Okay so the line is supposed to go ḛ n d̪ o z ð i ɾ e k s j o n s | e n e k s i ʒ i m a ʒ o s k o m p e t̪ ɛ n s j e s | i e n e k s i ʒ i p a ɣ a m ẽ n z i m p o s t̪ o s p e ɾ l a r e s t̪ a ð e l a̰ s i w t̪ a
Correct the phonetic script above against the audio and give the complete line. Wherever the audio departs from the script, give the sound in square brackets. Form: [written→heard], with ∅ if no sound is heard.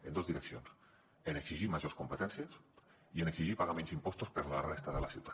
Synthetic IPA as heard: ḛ n d̪ o z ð i ɾ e k s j o n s | e n e k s i ʒ i m a ʒ o s k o m p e t̪ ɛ n s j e s | i e n e k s i ʒ i p a ɣ a m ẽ n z i m p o s t̪ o s p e ɾ l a r e s t̪ a ð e l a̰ s i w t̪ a